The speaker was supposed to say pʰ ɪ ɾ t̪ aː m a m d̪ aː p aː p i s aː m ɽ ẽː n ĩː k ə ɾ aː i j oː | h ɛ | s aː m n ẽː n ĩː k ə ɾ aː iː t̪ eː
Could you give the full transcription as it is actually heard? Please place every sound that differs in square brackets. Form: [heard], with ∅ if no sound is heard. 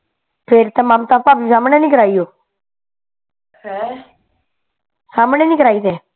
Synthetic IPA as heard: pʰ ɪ ɾ t̪ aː m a m [t̪] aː p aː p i s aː m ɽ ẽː n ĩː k ə ɾ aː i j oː | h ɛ | s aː m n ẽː n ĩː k ə ɾ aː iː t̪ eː